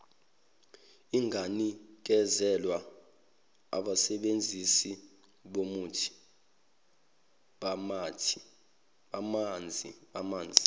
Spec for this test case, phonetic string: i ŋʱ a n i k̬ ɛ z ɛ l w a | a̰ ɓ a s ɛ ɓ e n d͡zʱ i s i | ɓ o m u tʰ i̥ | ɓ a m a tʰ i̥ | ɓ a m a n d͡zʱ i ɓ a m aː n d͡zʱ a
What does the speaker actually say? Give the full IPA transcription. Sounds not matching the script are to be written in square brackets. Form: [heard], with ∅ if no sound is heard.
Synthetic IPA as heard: i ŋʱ a n i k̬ ɛ z ɛ l w a | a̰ ɓ a s ɛ ɓ e n d͡zʱ i s i | ɓ o m u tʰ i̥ | ɓ a m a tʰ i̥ | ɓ a m a n d͡zʱ i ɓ a m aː n d͡zʱ [i]

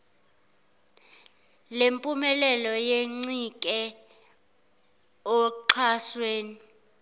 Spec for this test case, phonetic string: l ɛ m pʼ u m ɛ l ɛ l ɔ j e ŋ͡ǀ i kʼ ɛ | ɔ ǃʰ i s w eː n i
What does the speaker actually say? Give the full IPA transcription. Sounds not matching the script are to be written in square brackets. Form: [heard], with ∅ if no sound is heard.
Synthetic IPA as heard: l [e] m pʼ u m ɛ l ɛ l ɔ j e ŋ͡ǀ i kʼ ɛ | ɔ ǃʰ [a] s w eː n i

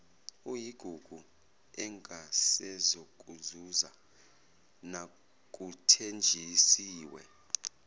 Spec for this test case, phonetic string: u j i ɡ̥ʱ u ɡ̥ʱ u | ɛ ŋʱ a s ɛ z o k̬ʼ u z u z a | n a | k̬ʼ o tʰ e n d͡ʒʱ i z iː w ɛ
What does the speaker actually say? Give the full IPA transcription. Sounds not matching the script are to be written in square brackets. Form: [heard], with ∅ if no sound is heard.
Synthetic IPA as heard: u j i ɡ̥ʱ u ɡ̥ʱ u | ɛ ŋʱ a s ɛ z o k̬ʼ u z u z a | n a | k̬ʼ [u] tʰ e n d͡ʒʱ i [s] iː w ɛ

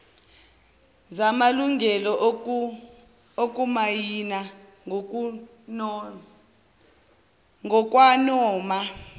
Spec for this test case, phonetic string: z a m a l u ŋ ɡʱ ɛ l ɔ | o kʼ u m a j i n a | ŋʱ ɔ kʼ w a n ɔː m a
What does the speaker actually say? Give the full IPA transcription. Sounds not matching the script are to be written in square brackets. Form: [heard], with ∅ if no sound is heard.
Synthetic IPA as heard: z a m a l u ŋ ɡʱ ɛ l ɔ | o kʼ u m a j i n a | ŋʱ ɔ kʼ w a n ɔː m a

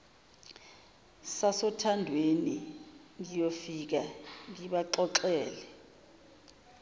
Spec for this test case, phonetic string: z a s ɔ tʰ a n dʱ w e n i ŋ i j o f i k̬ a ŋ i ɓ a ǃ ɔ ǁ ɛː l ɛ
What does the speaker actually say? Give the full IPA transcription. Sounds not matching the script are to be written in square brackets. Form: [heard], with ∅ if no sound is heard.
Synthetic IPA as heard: [s] a s ɔ tʰ a n dʱ w e n i ŋ i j o f i k̬ a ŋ i ɓ a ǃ ɔ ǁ ɛː l ɛ

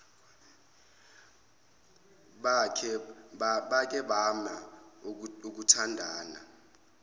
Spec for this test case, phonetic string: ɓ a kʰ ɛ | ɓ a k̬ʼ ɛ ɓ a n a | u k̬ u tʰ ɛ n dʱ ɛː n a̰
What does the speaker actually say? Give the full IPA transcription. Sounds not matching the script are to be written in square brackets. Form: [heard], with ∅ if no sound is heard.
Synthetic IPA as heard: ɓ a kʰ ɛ | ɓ a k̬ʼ ɛ ɓ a [m] a | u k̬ u tʰ [a] n dʱ [aː] n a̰

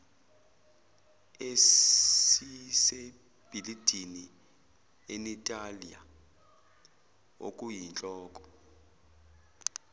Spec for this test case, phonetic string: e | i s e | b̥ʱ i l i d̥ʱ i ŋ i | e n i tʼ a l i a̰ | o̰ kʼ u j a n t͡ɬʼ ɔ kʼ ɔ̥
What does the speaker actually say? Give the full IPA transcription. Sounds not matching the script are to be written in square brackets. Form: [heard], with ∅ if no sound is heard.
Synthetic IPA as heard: e | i s e | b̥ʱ i l i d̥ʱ i [n] i | e n i tʼ a l i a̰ | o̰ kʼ u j [i] n t͡ɬʼ [ɔː] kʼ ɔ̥

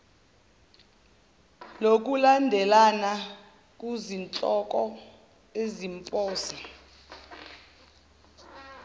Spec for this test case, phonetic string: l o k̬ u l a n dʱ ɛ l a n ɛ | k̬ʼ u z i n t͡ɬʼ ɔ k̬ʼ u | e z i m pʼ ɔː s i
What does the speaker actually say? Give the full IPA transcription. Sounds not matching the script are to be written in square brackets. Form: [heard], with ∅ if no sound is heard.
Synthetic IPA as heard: l o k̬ u l a n dʱ ɛ l a n [a] | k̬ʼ u z i n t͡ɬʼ ɔ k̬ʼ [ɔ] | e z i m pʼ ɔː s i

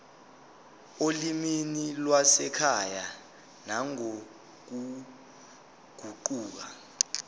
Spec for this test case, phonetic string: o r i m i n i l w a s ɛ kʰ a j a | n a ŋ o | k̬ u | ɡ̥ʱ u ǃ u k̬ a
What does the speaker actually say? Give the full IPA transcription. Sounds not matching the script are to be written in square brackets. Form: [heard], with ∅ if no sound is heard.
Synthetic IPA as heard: o [l] i m i n i l w a s ɛ kʰ a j a | n a ŋ o | k̬ u | ɡ̥ʱ u ǃ [uː] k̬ a

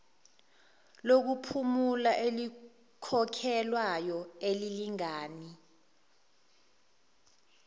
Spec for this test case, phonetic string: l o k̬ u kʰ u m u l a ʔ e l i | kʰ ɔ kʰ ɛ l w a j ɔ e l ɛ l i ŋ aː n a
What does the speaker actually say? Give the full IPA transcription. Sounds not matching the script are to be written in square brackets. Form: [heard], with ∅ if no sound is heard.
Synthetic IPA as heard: l o k̬ u [pʰ] u m u l a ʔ e l i | kʰ ɔ kʰ ɛ l w a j ɔ e l [i] l i ŋ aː n [i]

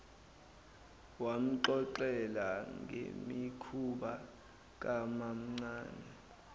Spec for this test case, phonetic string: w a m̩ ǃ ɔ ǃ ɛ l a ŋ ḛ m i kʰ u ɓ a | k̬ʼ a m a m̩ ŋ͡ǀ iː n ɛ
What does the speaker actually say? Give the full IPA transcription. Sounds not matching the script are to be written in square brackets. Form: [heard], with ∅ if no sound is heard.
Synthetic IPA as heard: w a m̩ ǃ ɔ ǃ ɛ l a ŋ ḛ m i kʰ u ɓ a | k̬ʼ a m a m̩ ŋ͡ǀ [aː] n ɛ

